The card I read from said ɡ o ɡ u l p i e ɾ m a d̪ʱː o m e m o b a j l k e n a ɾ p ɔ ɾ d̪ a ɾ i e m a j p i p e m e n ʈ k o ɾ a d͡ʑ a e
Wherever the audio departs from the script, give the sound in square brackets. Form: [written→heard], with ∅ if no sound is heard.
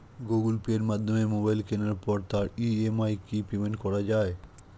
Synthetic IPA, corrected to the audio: ɡ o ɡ u l p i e ɾ m a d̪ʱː o m e m o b a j l k e n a ɾ p ɔ ɾ [d̪→t̪] a ɾ i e m a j [p→k] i p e m e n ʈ k [o→ɔ] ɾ a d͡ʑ a e